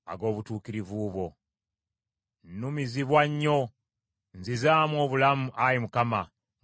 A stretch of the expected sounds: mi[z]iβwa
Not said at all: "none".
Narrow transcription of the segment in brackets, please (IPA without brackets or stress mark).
z